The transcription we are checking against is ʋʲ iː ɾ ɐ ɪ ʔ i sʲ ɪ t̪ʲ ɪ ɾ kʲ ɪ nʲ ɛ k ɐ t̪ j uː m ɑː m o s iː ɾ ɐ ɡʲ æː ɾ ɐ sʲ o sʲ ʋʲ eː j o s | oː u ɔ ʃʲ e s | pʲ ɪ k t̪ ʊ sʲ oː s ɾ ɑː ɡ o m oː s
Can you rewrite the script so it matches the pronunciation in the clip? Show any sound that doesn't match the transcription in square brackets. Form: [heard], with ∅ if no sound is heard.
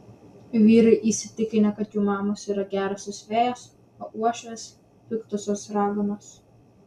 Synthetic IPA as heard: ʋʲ iː ɾ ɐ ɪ ʔ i sʲ ɪ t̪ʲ ɪ [∅] kʲ ɪ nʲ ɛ k ɐ t̪ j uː m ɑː m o s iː ɾ ɐ ɡʲ æː ɾ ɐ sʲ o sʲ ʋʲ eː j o s | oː u ɔ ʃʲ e s | pʲ ɪ k t̪ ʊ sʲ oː s ɾ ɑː ɡ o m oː s

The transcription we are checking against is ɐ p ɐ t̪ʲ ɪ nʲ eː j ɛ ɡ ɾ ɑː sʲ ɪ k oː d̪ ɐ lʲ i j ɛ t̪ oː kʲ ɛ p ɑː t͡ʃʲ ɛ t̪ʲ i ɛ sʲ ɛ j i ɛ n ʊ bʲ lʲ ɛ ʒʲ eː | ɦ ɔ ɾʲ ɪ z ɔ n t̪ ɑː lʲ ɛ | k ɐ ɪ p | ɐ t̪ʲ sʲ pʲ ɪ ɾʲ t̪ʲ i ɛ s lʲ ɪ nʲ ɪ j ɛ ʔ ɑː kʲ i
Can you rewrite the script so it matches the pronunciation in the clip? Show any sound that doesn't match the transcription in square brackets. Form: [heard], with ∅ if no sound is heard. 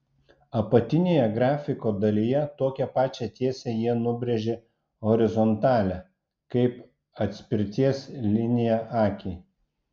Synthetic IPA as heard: ɐ p ɐ t̪ʲ ɪ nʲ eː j ɛ ɡ ɾ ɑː [fʲ] ɪ k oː d̪ ɐ lʲ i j ɛ t̪ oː kʲ ɛ p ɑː t͡ʃʲ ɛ t̪ʲ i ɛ sʲ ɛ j i ɛ n ʊ bʲ [ɾʲ] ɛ ʒʲ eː | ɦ ɔ ɾʲ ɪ z ɔ n t̪ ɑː lʲ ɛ | k ɐ ɪ p | ɐ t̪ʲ sʲ pʲ ɪ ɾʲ t̪ʲ i ɛ s lʲ ɪ nʲ ɪ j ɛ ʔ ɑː kʲ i

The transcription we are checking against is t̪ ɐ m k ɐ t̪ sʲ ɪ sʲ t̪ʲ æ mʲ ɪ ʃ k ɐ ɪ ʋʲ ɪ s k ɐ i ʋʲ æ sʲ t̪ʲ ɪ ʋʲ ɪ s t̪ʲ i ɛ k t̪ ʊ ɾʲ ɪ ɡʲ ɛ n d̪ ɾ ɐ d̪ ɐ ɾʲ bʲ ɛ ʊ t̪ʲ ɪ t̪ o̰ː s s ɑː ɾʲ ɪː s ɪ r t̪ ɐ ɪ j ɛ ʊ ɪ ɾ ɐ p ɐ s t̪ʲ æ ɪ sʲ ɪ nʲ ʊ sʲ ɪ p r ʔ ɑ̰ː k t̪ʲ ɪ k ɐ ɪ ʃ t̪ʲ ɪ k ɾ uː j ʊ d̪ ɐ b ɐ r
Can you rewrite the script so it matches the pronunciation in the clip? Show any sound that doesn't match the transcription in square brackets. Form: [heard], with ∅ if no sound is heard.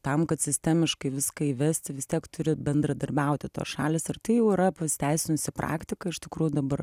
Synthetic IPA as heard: t̪ ɐ m k ɐ t̪ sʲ ɪ sʲ t̪ʲ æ mʲ ɪ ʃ k ɐ ɪ ʋʲ ɪ s k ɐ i ʋʲ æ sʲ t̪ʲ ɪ ʋʲ ɪ s t̪ʲ i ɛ k t̪ ʊ ɾʲ ɪ [bʲ] ɛ n d̪ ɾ ɐ d̪ ɐ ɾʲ bʲ ɛ ʊ t̪ʲ ɪ t̪ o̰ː s [ʃ] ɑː [lʲ] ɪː s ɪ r t̪ ɐ ɪ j ɛ ʊ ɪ ɾ ɐ p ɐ s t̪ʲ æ ɪ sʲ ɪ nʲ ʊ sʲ ɪ p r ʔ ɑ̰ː k t̪ʲ ɪ k ɐ ɪ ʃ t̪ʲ ɪ k ɾ uː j ʊ d̪ ɐ b ɐ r

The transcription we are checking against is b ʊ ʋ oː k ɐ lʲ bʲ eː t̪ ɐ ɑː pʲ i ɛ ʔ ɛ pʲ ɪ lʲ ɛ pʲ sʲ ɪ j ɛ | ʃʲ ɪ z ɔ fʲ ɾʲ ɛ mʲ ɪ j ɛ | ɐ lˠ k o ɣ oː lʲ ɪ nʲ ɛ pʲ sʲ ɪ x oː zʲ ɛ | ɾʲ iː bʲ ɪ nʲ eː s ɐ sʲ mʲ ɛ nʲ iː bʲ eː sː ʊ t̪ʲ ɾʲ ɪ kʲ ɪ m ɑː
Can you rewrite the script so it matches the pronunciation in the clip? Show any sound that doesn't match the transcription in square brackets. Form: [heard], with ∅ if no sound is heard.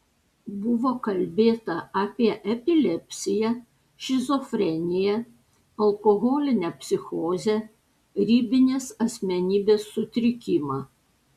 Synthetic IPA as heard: b ʊ ʋ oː k ɐ lʲ bʲ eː t̪ ɐ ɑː pʲ i ɛ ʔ ɛ pʲ ɪ lʲ ɛ pʲ sʲ ɪ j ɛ | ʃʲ ɪ z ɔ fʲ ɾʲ ɛ [nʲ] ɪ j ɛ | ɐ lˠ k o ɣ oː lʲ ɪ nʲ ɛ pʲ sʲ ɪ x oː zʲ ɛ | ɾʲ iː bʲ ɪ nʲ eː s ɐ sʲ mʲ ɛ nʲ iː bʲ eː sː ʊ t̪ʲ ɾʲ ɪ kʲ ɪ m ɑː

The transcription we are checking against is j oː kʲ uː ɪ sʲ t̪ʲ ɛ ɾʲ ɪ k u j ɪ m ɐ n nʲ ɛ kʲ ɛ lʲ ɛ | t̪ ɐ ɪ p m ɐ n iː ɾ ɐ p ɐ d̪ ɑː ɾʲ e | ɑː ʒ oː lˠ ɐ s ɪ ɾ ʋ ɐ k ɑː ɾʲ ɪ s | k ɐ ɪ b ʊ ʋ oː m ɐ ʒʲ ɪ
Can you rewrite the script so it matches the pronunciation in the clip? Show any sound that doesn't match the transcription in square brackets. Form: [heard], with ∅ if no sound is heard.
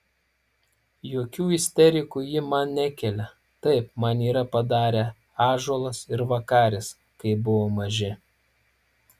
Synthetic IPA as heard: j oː kʲ uː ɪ sʲ t̪ʲ ɛ ɾʲ ɪ k u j ɪ m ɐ n nʲ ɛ kʲ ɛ lʲ ɛ | t̪ ɐ ɪ p m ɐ n iː ɾ ɐ p ɐ d̪ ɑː ɾʲ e | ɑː ʒ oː lˠ ɐ s ɪ ɾ ʋ ɐ k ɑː ɾʲ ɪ s | k ɐ ɪ b ʊ ʋ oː m ɐ ʒʲ ɪ

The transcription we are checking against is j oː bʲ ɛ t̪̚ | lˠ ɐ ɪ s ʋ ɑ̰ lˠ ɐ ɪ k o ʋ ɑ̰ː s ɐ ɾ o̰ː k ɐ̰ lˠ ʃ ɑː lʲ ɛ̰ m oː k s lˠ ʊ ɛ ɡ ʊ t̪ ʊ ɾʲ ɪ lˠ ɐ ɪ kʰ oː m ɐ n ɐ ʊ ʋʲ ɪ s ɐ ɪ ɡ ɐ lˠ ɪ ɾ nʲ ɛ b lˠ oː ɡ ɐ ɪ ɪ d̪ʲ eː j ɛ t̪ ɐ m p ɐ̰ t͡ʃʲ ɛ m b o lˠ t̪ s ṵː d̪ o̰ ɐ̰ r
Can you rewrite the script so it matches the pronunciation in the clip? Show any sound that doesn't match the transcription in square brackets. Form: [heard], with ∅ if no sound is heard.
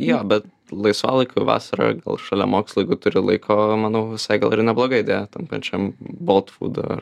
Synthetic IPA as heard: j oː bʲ ɛ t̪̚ | lˠ ɐ ɪ s ʋ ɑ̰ lˠ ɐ ɪ k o ʋ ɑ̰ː s ɐ ɾ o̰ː [ɡ] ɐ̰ lˠ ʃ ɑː lʲ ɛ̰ m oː k s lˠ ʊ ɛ ɡ ʊ t̪ ʊ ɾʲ ɪ lˠ ɐ ɪ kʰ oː m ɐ n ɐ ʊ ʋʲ ɪ s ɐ ɪ ɡ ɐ lˠ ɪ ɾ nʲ ɛ b lˠ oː ɡ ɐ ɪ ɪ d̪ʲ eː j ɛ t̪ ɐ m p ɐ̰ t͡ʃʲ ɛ m b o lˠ t̪ [f] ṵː d̪ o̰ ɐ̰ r

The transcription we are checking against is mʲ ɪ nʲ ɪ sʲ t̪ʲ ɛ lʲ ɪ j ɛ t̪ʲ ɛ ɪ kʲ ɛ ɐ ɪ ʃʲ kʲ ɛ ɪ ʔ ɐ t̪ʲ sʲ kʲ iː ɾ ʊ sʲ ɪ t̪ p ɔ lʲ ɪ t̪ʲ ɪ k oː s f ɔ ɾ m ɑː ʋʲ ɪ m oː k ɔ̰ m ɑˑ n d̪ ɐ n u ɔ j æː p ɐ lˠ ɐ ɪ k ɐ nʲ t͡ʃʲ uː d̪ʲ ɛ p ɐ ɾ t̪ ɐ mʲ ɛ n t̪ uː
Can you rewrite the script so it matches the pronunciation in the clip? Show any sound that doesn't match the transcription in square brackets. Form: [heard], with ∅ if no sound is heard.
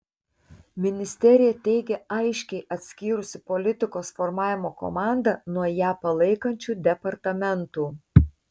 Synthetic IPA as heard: mʲ ɪ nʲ ɪ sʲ t̪ʲ ɛ [ɾʲ] ɪ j ɛ t̪ʲ ɛ ɪ [ɡʲ] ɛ ɐ ɪ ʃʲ kʲ ɛ ɪ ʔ ɐ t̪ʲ sʲ kʲ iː ɾ ʊ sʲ ɪ [∅] p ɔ lʲ ɪ t̪ʲ ɪ k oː s f ɔ ɾ m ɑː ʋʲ ɪ m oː k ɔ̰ m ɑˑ n d̪ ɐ n u ɔ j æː p ɐ lˠ ɐ ɪ k ɐ nʲ t͡ʃʲ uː d̪ʲ ɛ p ɐ ɾ t̪ ɐ mʲ ɛ n t̪ uː

